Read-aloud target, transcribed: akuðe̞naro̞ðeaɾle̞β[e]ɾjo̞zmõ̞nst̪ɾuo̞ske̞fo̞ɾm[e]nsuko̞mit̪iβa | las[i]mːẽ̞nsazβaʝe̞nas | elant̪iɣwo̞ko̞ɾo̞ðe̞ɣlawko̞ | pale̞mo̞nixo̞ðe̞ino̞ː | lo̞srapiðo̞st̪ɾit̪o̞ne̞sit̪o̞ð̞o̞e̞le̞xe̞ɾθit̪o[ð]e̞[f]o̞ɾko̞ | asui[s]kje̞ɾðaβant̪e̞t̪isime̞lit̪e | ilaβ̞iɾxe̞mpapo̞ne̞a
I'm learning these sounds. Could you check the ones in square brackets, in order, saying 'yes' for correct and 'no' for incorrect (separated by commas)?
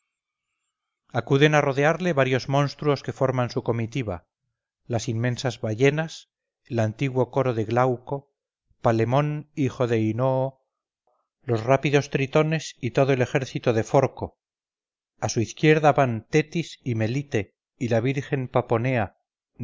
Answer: no, no, yes, yes, yes, no